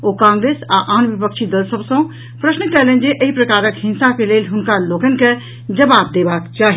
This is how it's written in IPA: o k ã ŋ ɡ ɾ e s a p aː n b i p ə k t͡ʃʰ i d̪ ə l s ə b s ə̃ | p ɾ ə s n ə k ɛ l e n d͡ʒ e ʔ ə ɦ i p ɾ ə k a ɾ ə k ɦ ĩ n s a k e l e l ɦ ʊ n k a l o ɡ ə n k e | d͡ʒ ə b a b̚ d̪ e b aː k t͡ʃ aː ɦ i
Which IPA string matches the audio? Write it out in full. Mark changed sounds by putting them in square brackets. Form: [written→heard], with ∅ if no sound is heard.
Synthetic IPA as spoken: o k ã ŋ ɡ ɾ e s a [p→ʔ] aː n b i p ə k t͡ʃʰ i d̪ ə l s ə b s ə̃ | p ɾ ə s n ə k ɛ l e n d͡ʒ e ʔ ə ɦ i p ɾ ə k a ɾ ə k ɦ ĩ n s a k e l e l ɦ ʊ n k a l o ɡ ə n k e | d͡ʒ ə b a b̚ d̪ e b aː k t͡ʃ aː ɦ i